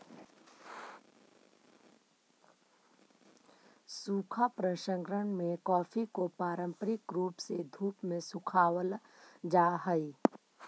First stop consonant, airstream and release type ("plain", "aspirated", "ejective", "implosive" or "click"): aspirated